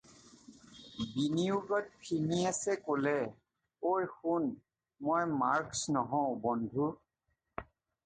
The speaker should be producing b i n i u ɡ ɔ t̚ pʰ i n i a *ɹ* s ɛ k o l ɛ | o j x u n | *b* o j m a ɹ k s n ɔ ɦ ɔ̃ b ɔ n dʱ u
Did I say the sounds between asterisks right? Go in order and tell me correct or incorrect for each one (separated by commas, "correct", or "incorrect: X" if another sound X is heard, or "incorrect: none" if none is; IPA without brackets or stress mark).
incorrect: none, incorrect: m